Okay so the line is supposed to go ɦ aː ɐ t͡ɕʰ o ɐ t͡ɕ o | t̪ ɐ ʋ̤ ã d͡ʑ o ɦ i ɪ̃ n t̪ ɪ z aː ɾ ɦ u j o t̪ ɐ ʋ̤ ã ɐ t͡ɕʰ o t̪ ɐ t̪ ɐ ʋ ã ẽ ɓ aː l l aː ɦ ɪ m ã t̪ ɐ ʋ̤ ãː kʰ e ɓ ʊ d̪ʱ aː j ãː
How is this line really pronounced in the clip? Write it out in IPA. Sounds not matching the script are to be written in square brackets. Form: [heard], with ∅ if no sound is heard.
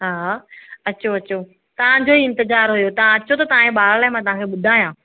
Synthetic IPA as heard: ɦ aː ɐ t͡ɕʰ o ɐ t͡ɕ o | t̪ ɐ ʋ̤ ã d͡ʑ o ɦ i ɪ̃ n t̪ ɪ z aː ɾ ɦ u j o t̪ ɐ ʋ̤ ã ɐ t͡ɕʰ o t̪ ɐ t̪ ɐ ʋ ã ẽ ɓ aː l l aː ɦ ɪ m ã t̪ ɐ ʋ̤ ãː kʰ e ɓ ʊ d̪ʱ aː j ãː